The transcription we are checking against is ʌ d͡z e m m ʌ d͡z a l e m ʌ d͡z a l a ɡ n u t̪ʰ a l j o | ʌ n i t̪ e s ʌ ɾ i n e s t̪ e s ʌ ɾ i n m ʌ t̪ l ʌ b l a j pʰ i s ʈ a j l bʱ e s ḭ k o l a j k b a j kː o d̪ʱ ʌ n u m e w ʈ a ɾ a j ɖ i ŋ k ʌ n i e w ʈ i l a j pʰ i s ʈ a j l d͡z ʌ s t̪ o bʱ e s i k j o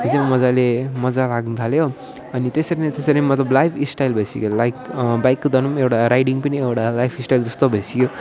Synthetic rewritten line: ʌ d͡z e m m ʌ d͡z a l e m ʌ d͡z a l a ɡ n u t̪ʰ a l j o | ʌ n i t̪ e s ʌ ɾ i n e t̪ e s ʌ ɾ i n m ʌ t̪ l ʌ b l a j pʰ i s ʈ a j l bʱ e s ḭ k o l a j k b a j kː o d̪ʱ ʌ n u m e w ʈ a ɾ a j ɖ i ŋ p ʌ n i e w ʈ a l a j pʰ i s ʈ a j l d͡z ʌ s t̪ o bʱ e s i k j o